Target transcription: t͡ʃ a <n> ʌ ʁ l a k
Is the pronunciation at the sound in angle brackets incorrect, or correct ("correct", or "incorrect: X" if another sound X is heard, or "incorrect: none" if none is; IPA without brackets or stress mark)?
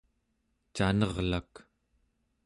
correct